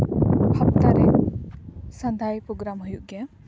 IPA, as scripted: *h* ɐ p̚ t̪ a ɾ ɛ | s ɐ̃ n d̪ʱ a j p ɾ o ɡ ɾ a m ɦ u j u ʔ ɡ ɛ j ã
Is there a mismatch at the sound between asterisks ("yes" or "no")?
no